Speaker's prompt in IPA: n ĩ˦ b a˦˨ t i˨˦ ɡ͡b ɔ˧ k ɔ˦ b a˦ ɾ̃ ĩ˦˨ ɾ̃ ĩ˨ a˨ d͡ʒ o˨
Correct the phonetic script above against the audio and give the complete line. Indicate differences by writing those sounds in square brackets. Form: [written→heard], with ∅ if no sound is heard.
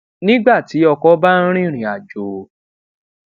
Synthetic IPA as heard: n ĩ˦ [b→ɡ͡b] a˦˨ t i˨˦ [ɡ͡b→∅] ɔ˧ k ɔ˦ b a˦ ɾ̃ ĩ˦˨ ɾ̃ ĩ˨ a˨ d͡ʒ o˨